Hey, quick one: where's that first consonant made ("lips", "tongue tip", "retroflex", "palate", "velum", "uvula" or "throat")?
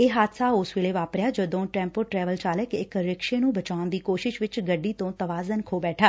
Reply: throat